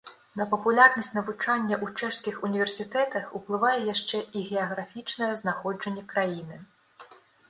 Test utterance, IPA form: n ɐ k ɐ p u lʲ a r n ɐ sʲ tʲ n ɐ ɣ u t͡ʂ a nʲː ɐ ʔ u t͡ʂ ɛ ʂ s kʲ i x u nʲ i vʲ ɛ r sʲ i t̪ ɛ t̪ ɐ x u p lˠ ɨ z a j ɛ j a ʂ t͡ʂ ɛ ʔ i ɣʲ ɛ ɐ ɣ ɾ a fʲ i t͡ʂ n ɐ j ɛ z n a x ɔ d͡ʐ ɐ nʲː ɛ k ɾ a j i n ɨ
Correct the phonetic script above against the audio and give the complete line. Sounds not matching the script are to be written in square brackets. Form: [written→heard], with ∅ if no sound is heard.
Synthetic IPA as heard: n ɐ [k→p] ɐ p u lʲ a r n ɐ sʲ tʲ n ɐ [ɣ→v] u t͡ʂ a nʲː ɐ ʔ u t͡ʂ ɛ ʂ s kʲ i x u nʲ i vʲ ɛ r sʲ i t̪ ɛ t̪ ɐ x u p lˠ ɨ [z→v] a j ɛ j a ʂ t͡ʂ ɛ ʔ i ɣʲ ɛ ɐ ɣ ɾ a fʲ i t͡ʂ n ɐ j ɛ z n a x ɔ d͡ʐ ɐ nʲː ɛ k ɾ a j i n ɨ